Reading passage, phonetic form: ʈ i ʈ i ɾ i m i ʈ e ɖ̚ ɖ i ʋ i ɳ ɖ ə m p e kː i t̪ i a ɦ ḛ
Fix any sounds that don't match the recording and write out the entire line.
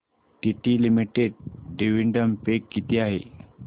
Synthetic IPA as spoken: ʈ i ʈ i l i m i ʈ e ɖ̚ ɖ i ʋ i ɳ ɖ ə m p e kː i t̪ i a ɦ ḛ

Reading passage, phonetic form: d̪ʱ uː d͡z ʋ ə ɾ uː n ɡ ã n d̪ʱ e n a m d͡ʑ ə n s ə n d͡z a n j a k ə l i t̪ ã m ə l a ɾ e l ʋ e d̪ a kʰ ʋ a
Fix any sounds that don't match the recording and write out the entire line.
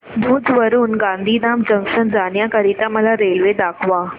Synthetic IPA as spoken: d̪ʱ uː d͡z ʋ ə ɾ uː n ɡ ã n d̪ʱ i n a m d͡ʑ ə ŋ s ə n d͡z a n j a k ə ɾ i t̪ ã m ə l a ɾ e l ʋ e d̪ a kʰ ʋ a

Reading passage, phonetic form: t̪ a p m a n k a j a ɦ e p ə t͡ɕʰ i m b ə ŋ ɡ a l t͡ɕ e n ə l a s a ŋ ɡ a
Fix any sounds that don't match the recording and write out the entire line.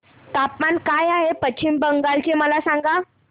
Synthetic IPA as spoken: t̪ a p m a n k a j a ɦ e p ə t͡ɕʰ i m b ə ŋ ɡ a l t͡ɕ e m ə l a s a ŋ ɡ a

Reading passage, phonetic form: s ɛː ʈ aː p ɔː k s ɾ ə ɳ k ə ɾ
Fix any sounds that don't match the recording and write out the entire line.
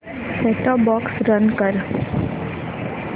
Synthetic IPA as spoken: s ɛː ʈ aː b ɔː k s ɾ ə n k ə ɾ

